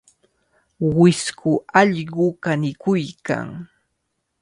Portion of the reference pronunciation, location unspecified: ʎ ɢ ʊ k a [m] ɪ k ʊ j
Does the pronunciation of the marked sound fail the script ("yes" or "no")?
yes